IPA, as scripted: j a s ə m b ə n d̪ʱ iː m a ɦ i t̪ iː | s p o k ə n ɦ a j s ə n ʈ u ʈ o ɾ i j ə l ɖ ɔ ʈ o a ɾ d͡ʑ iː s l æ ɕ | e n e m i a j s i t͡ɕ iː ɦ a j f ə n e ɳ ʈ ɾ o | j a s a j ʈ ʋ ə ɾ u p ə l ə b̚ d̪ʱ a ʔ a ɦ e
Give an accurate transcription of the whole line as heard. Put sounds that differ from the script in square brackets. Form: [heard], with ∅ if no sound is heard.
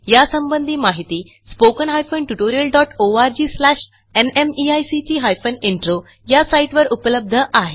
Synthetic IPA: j a s ə m b ə n d̪ʱ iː m a ɦ i t̪ iː | s p o k ə n ɦ a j [f] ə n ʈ u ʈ o ɾ i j ə l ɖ ɔ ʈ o a ɾ d͡ʑ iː s l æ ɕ | e n e m i a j s i t͡ɕ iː ɦ a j f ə n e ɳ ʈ ɾ o | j a s a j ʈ ʋ ə ɾ u p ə l ə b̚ d̪ʱ [ə] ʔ a ɦ e